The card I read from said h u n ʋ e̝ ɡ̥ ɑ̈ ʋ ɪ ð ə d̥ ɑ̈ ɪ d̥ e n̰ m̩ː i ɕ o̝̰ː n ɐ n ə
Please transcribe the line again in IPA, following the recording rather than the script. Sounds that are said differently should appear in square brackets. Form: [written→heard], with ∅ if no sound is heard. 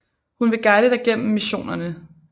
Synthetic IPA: h u n ʋ e̝ ɡ̥ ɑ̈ [ʋ→∅] ɪ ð ə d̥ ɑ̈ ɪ [d̥→ɡ̥] e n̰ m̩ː i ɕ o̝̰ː n ɐ n ə